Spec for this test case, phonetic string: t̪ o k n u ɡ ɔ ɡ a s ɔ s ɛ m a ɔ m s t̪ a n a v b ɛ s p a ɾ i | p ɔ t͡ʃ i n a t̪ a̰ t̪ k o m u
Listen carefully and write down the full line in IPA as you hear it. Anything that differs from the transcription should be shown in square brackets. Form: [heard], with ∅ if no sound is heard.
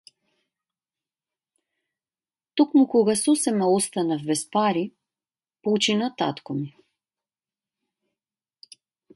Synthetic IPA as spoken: t̪ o k [m] u [k] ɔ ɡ a s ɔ s ɛ m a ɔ [∅] s t̪ a n a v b ɛ s p a ɾ i | p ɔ t͡ʃ i n a t̪ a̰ t̪ k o m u